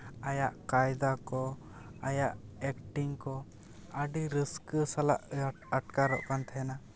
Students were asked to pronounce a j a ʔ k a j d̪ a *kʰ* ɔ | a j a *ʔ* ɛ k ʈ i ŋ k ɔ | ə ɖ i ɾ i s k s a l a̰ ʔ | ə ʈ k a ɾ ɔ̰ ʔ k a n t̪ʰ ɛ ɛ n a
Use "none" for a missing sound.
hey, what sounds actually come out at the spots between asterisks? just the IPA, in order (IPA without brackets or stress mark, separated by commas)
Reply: k, ʔ